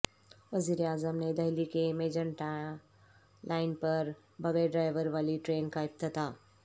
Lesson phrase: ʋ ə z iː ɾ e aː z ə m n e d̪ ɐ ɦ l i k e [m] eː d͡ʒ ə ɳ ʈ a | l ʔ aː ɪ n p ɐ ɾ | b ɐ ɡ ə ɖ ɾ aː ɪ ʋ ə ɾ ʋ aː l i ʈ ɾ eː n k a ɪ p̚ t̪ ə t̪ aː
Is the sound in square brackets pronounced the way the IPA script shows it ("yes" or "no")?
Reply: yes